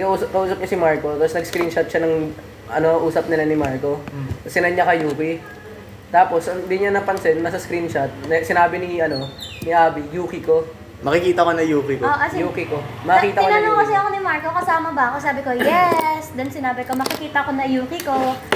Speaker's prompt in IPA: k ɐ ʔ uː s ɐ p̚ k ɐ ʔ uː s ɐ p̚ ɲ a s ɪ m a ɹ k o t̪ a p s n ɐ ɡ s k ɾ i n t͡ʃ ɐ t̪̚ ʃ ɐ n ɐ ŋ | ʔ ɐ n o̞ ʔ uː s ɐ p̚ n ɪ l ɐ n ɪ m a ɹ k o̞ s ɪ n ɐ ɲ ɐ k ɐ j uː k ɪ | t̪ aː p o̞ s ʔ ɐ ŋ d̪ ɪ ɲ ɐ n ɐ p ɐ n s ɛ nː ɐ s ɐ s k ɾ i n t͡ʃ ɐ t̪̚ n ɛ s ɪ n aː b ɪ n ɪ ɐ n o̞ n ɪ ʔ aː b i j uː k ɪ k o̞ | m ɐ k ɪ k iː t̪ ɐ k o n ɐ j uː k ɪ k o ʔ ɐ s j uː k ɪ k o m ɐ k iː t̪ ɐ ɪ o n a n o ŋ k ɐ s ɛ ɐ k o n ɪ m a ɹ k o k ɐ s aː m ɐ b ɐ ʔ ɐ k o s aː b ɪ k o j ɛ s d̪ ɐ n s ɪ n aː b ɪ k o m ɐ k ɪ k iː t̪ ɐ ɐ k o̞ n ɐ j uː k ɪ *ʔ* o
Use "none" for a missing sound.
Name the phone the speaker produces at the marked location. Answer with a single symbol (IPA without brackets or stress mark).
k